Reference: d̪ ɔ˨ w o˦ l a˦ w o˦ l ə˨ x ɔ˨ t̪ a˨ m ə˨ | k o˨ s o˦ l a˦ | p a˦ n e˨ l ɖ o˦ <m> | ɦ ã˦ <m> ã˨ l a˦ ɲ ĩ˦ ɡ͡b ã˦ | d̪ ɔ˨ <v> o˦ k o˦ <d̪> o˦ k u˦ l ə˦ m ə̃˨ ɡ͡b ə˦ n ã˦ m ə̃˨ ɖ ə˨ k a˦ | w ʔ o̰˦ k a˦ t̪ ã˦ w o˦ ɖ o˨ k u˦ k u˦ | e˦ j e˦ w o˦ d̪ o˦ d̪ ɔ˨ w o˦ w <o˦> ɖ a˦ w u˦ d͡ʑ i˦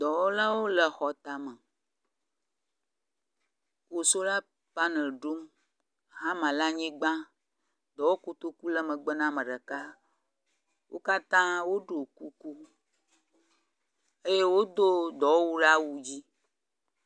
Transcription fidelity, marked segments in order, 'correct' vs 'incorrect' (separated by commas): correct, correct, incorrect, incorrect, incorrect